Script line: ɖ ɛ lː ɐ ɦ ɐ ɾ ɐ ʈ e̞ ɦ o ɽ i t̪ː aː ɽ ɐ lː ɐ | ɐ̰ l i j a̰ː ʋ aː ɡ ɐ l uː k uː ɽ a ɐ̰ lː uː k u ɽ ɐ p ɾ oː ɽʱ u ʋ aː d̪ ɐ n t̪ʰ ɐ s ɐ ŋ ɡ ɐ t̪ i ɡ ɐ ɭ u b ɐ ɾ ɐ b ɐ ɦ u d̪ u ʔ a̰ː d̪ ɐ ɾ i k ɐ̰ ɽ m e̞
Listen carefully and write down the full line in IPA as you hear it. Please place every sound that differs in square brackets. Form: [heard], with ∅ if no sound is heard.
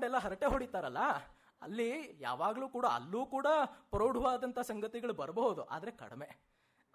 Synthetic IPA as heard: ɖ ɛ lː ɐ ɦ ɐ ɾ ɐ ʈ e̞ ɦ o ɽ i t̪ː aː [ɾ] ɐ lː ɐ | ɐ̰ [lː] i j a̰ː ʋ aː ɡ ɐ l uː k uː ɽ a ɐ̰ lː uː k [uː] ɽ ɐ p ɾ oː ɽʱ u ʋ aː d̪ ɐ n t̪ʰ ɐ s ɐ ŋ ɡ ɐ t̪ i ɡ ɐ ɭ u b ɐ ɾ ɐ b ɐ ɦ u d̪ u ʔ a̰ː d̪ ɐ ɾ [e] k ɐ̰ ɽ m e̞